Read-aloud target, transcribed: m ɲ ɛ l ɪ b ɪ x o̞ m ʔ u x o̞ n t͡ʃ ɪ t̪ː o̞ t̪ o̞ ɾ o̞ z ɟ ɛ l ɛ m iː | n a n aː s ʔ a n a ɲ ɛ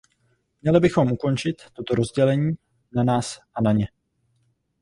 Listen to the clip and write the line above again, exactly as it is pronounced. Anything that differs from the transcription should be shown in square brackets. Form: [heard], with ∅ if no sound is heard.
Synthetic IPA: m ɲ ɛ l ɪ b ɪ x o̞ m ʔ u [k] o̞ n t͡ʃ ɪ t̪ː o̞ t̪ o̞ ɾ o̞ z ɟ ɛ l ɛ [ɲ] iː | n a n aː s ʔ a n a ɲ ɛ